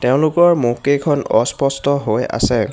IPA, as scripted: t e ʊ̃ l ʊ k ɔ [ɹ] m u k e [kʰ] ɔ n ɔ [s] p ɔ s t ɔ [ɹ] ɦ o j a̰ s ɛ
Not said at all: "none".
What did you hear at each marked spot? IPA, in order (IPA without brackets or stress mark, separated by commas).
ɹ, kʰ, s, none